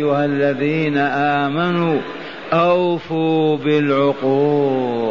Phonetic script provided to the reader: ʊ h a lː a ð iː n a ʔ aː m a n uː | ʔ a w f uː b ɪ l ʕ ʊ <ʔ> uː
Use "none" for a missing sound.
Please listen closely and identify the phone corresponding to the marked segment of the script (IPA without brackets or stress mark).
q